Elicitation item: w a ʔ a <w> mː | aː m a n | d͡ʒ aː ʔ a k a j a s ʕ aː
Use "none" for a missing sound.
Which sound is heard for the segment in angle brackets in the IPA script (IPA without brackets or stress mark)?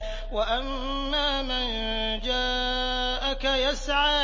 none